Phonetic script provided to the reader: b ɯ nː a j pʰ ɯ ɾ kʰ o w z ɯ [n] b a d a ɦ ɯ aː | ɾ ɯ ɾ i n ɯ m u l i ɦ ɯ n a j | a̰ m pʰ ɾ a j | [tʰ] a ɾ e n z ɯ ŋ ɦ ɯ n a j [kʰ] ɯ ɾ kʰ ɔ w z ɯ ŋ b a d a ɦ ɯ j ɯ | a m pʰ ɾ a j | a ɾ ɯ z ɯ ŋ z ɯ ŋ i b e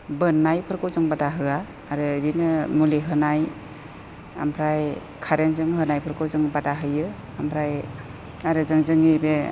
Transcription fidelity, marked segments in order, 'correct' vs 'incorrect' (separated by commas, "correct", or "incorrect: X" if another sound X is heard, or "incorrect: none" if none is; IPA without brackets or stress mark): incorrect: ŋ, incorrect: kʰ, incorrect: pʰ